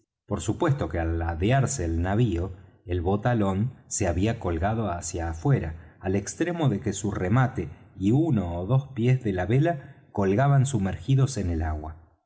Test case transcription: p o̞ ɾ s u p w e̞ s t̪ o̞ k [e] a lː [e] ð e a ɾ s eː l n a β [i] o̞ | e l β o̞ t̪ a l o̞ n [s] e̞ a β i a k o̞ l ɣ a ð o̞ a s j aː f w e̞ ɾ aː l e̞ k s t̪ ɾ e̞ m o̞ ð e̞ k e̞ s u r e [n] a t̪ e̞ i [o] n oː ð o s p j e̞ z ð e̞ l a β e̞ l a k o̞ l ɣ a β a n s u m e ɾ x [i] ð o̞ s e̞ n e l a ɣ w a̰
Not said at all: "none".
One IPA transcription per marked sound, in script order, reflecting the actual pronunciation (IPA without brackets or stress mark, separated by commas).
e, a, i, s, m, u, i